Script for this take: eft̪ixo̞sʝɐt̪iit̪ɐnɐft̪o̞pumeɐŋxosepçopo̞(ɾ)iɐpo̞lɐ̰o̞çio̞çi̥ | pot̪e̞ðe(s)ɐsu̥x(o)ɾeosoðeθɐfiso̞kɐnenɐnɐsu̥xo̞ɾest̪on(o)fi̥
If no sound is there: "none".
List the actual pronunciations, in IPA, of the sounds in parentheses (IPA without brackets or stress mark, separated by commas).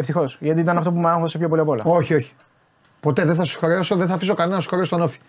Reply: l, θ, o, o